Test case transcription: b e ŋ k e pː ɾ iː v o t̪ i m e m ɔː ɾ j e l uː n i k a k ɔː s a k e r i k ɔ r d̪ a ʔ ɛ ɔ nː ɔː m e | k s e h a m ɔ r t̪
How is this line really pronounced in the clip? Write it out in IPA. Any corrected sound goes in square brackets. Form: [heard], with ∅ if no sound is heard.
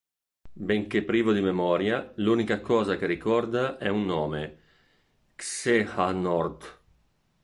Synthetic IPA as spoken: b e ŋ k e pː ɾ iː v o [d̪] i m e m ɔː ɾ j [a] l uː n i k a k ɔː [z] a k e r i k ɔ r d̪ a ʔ ɛ [u] nː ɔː m e | k s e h a [n] ɔ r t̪